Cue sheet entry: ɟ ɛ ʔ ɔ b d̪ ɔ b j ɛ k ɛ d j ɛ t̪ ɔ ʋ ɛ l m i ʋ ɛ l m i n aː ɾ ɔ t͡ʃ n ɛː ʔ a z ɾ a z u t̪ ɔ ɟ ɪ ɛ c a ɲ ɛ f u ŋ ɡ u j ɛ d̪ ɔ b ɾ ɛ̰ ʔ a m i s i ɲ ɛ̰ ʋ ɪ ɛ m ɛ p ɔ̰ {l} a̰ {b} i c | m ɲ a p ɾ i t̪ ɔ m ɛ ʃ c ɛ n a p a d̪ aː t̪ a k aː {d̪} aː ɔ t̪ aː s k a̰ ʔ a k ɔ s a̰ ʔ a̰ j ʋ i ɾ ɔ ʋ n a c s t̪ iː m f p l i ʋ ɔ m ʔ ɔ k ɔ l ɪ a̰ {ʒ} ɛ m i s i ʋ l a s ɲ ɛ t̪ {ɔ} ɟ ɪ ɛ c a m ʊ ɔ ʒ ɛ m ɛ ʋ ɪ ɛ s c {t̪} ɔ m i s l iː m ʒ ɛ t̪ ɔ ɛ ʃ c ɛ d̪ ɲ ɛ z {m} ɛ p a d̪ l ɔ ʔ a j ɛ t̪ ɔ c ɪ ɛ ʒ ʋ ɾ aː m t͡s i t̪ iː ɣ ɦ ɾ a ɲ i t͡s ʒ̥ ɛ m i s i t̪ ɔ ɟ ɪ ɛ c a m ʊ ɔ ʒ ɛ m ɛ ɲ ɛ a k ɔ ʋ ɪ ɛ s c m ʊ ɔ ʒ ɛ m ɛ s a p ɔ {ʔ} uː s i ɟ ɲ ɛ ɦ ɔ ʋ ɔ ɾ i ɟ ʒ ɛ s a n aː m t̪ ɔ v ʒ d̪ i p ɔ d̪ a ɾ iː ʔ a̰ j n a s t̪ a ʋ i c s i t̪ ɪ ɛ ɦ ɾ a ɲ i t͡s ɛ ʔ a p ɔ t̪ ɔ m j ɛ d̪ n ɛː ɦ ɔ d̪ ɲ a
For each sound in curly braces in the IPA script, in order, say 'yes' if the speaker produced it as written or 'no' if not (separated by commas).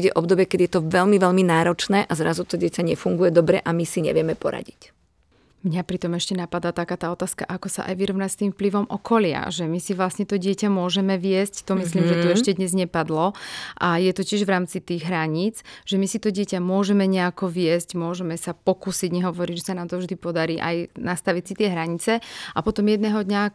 no, no, no, yes, yes, yes, no, no